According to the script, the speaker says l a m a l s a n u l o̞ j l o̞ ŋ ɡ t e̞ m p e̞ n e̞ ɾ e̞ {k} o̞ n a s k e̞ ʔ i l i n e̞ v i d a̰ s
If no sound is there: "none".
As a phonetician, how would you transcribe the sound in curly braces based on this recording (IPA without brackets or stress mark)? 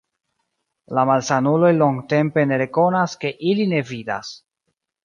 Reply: k